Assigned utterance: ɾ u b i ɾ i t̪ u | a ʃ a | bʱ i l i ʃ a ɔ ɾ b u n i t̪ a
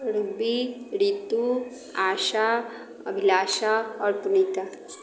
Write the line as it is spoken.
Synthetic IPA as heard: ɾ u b i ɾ i t̪ u | a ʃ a | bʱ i l a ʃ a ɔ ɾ p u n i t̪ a

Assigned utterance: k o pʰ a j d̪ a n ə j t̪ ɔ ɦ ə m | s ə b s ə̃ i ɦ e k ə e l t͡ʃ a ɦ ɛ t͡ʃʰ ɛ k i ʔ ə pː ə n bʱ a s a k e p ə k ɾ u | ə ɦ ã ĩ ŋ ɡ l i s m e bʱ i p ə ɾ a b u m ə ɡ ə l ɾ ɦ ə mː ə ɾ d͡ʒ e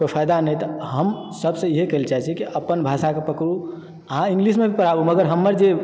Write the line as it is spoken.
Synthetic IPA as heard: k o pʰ a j d̪ a n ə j t̪ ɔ ɦ ə m | s ə b s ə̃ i ɦ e k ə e l t͡ʃ a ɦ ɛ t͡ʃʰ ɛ k i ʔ ə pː ə n bʱ a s a k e p ə k ɾ u | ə ɦ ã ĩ ŋ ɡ l i s m e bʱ i p ə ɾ a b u m ə ɡ ə ɾ ɦ ə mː ə ɾ d͡ʒ e

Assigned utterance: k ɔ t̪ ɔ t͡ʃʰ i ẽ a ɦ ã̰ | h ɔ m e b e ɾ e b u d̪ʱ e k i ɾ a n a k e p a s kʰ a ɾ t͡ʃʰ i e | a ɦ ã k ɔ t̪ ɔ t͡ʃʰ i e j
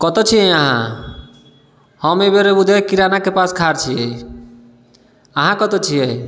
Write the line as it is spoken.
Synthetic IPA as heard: k ɔ t̪ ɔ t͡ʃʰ i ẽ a ɦ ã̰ | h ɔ m e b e ɾ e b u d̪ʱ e k i ɾ a n a k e p a s kʰ a ɾ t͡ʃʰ i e | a ɦ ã k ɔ t̪ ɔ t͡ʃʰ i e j

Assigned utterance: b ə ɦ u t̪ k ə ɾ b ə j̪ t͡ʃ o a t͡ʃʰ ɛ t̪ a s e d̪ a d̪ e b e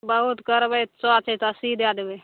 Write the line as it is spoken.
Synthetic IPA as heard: b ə ɦ u t̪ k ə ɾ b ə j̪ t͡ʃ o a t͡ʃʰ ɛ t̪ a s i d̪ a d̪ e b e

